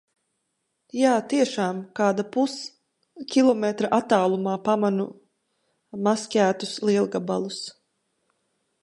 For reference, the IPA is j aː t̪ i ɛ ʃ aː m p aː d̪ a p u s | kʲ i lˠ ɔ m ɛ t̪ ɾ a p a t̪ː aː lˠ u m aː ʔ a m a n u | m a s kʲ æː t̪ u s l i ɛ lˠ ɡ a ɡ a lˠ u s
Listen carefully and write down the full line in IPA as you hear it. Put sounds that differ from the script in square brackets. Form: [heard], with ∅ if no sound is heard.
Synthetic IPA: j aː t̪ i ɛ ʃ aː m [k] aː d̪ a p u s | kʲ i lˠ ɔ m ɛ t̪ ɾ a [ʔ] a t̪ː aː lˠ u m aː [p] a m a n u | m a s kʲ æː t̪ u s l i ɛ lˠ ɡ a [b] a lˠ u s